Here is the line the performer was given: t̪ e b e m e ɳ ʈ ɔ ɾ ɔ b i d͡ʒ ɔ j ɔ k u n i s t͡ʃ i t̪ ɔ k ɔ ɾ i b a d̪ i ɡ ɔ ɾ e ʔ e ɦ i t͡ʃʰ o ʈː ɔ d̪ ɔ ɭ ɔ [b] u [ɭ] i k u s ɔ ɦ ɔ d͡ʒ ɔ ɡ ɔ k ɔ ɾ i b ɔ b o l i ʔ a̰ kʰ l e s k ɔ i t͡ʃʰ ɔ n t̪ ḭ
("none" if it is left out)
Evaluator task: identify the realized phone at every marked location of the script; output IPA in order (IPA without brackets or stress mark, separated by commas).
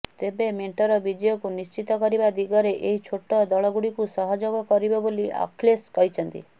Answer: ɡ, ɽ